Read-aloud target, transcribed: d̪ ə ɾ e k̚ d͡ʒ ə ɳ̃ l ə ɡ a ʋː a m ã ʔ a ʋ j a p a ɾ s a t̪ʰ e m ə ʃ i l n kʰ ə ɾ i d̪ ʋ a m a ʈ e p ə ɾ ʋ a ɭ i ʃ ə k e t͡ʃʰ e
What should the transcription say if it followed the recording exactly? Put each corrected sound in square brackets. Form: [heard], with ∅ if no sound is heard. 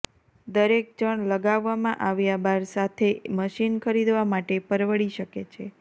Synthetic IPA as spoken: d̪ ə ɾ e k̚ d͡ʒ ə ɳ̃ l ə ɡ a ʋː a m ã ʔ a ʋ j a [b] a ɾ s a t̪ʰ e m ə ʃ i [∅] n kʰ ə ɾ i d̪ ʋ a m a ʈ e p ə ɾ ʋ [ə] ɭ i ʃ ə k e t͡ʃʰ e